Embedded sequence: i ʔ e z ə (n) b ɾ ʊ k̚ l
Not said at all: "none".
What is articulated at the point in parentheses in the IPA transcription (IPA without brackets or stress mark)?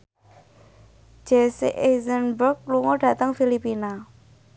n